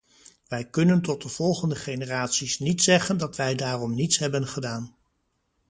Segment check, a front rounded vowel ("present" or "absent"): absent